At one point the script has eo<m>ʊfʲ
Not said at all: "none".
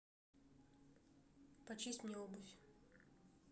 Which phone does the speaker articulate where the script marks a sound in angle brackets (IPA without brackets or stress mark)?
b